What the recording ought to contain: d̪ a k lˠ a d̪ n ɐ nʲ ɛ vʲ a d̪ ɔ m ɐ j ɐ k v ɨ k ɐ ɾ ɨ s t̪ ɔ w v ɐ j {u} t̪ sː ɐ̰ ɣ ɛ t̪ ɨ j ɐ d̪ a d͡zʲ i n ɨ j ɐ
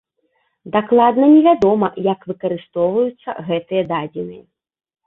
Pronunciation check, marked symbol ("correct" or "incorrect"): correct